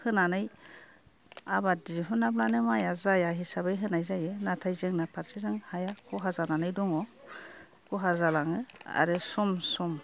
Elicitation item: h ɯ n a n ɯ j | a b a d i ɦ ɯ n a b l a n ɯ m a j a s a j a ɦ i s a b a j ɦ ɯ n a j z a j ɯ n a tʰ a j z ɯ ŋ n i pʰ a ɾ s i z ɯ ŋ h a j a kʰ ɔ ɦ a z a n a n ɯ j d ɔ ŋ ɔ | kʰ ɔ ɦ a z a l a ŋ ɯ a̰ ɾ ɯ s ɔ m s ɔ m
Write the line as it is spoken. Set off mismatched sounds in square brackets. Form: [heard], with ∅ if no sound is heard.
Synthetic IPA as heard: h ɯ n a n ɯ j | a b a d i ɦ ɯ n a b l a n ɯ m a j a [z] a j a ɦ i s a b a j ɦ ɯ n a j z a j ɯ n a tʰ a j z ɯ ŋ n [a] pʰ a ɾ s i z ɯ ŋ h a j a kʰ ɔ ɦ a z a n a n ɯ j d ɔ ŋ ɔ | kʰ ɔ ɦ a z a l a ŋ ɯ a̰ ɾ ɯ s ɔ m s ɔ m